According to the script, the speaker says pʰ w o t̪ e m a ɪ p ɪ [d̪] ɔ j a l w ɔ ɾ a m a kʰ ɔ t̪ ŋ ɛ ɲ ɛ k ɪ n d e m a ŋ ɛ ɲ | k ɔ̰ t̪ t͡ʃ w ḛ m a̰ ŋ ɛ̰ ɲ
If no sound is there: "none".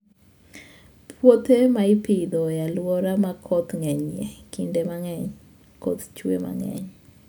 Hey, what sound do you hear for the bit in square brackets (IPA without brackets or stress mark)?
d̪